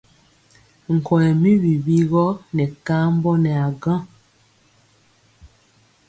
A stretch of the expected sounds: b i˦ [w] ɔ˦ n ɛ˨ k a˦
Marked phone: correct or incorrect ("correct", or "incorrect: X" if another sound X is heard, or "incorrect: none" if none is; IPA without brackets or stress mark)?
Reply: incorrect: ɣ